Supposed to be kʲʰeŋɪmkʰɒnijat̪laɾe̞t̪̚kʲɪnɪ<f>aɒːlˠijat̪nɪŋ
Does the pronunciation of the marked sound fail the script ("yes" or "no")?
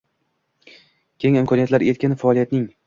no